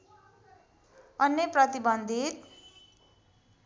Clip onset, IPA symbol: ʌ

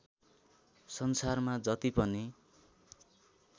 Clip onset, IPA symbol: s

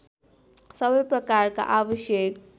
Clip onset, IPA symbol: s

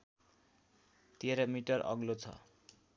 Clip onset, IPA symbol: t̪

